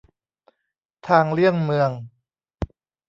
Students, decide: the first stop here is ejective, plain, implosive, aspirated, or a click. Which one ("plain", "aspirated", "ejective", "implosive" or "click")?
aspirated